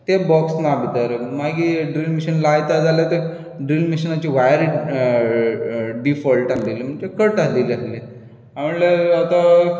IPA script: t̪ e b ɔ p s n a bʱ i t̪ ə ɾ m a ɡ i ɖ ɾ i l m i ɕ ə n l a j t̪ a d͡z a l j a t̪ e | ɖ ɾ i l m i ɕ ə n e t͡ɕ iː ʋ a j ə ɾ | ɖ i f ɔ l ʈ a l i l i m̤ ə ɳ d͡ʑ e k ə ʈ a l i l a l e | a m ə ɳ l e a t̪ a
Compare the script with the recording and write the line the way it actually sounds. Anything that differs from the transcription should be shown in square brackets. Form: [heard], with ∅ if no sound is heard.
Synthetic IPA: t̪ e b ɔ [k] s n a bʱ i t̪ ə ɾ m a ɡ i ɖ ɾ i l m i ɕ ə n l a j t̪ a d͡z a l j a t̪ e | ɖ ɾ i l m i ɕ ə n [a] t͡ɕ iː ʋ a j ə ɾ | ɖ i f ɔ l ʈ a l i l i m̤ ə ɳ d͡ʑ e k ə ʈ a l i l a l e | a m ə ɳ l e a t̪ a